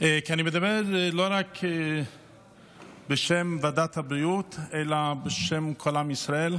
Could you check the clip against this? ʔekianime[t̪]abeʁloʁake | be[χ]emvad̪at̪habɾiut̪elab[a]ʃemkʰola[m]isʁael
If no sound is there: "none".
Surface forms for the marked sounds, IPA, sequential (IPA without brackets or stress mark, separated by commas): d̪, ʃ, e, m